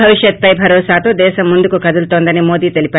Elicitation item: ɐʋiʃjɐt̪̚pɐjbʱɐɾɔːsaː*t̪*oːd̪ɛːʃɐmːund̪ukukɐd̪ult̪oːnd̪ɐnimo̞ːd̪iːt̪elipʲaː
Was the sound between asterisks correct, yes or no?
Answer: yes